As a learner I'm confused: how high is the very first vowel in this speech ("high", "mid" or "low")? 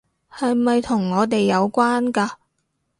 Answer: low